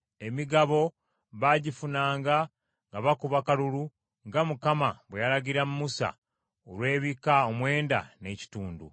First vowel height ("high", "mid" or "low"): mid